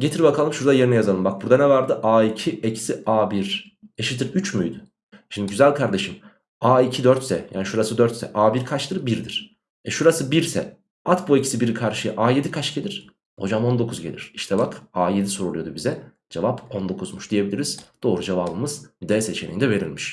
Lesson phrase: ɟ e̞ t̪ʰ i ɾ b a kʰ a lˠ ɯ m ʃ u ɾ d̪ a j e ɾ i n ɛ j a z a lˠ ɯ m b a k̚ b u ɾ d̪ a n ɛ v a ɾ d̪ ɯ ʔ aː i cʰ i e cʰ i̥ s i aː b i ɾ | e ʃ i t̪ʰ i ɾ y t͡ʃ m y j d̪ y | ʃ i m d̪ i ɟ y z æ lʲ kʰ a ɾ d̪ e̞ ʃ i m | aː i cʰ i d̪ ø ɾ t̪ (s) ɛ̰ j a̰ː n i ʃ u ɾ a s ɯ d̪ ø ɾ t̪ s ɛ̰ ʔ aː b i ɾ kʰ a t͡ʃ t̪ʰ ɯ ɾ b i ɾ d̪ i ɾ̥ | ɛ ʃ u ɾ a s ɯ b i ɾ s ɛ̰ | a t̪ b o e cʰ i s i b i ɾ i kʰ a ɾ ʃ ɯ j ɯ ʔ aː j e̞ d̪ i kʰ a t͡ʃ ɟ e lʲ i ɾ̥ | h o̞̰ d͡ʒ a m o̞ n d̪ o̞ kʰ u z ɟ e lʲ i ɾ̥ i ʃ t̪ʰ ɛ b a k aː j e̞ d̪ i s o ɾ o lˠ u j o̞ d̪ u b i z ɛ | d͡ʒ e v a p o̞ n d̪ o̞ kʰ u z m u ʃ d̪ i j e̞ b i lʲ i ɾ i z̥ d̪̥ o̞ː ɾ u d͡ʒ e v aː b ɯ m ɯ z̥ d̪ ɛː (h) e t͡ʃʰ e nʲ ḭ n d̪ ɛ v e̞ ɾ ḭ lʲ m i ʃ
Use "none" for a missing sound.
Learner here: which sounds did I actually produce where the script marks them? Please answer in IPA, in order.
s, s

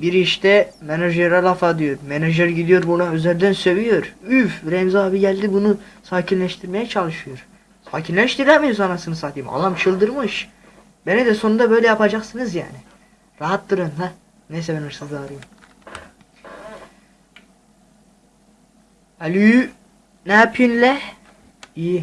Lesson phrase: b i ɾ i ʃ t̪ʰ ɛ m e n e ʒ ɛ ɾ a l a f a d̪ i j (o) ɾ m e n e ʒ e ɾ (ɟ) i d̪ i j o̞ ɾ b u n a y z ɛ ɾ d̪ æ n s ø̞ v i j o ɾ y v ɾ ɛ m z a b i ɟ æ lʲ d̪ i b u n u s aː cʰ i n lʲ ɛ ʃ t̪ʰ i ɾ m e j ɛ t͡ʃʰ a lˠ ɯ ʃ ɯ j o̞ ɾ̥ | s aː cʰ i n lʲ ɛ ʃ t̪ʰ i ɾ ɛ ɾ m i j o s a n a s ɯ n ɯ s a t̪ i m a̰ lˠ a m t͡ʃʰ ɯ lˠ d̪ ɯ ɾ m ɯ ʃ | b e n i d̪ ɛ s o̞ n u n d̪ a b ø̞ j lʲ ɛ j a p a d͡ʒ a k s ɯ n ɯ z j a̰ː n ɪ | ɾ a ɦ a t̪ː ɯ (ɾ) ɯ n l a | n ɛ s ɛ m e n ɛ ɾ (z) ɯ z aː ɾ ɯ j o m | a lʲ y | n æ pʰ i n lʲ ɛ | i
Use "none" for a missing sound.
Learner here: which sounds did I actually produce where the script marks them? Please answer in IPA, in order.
o, ɟ, ɾ, s

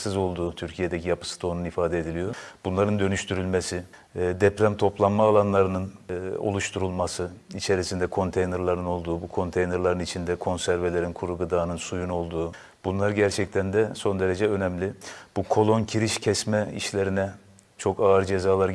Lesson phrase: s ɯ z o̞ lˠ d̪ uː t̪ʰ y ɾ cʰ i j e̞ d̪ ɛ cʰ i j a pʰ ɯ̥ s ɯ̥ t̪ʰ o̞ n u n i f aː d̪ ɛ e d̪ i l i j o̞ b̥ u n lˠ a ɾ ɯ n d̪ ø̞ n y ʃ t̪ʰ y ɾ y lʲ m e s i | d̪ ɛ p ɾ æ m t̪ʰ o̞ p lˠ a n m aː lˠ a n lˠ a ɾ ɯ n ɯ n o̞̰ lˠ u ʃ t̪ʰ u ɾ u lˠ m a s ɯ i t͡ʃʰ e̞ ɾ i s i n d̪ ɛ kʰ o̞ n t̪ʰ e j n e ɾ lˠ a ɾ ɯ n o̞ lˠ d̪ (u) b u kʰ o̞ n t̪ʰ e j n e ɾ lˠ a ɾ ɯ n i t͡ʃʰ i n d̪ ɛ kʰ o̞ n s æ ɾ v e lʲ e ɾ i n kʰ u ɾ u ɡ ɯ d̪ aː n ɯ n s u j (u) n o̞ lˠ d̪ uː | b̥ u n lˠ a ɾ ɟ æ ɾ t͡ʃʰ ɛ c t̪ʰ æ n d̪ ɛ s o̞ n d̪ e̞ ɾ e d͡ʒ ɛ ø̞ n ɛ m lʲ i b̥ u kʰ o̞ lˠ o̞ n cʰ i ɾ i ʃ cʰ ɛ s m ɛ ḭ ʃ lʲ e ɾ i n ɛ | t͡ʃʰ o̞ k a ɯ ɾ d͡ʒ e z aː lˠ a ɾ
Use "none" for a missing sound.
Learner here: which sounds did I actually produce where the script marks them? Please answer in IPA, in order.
uː, u

